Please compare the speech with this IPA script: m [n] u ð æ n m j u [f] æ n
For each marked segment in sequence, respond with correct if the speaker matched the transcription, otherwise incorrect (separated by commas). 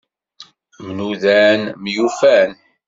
correct, correct